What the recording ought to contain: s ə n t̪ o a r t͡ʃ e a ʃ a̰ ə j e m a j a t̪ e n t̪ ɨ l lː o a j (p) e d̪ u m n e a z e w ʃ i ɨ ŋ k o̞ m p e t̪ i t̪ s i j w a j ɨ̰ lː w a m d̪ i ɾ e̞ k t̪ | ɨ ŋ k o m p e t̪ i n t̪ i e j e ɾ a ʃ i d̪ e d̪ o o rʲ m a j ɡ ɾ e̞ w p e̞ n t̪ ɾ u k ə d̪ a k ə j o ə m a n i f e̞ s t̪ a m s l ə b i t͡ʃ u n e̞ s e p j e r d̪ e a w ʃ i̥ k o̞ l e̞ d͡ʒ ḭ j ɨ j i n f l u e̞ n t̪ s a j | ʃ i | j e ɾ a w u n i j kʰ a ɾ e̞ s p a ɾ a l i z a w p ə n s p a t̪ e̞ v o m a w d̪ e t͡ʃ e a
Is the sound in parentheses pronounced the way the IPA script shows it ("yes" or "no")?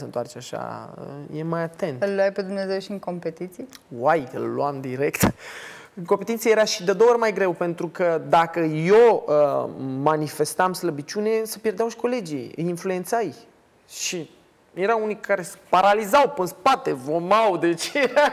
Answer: yes